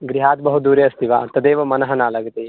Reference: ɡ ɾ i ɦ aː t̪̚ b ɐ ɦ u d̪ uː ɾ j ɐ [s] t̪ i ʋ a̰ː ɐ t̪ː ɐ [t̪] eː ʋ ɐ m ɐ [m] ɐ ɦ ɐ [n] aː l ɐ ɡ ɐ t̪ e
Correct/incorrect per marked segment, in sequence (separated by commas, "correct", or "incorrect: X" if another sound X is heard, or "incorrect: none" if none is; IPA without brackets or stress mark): correct, incorrect: d̪, incorrect: n, correct